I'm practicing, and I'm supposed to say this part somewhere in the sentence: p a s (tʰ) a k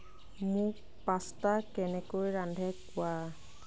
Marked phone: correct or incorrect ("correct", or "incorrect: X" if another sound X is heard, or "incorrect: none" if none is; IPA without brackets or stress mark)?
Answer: incorrect: t